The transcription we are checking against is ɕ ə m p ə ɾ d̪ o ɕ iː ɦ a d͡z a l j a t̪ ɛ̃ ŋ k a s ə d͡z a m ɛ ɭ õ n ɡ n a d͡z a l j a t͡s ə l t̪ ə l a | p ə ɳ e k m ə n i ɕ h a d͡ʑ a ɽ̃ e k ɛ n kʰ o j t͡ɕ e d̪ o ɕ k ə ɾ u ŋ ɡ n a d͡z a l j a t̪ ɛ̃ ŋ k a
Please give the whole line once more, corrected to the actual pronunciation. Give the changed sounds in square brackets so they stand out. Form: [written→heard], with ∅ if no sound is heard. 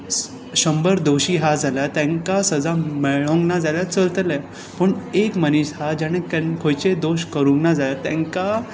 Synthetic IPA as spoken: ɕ ə m [p→b] ə ɾ d̪ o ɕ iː ɦ a d͡z a l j a t̪ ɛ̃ ŋ k a s ə d͡z a m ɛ ɭ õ [n→ŋ] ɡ n a d͡z a l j a t͡s ə l t̪ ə l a | p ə ɳ e k m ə n i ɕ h a d͡ʑ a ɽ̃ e k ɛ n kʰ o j t͡ɕ e d̪ o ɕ k ə ɾ u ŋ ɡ n a d͡z a l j a t̪ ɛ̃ ŋ k a